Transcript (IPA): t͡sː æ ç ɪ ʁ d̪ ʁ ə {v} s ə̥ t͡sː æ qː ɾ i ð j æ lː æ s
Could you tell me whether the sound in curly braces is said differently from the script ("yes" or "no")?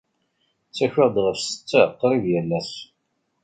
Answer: yes